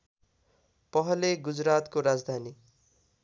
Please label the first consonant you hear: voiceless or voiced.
voiceless